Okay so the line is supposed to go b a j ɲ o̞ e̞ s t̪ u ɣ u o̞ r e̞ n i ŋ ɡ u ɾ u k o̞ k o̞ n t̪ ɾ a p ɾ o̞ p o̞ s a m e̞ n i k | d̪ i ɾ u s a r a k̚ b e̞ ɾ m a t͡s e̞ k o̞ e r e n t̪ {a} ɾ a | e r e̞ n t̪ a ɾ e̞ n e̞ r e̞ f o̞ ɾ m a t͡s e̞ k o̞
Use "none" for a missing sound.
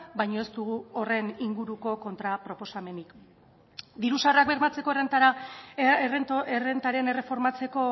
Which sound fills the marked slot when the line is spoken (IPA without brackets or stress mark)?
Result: a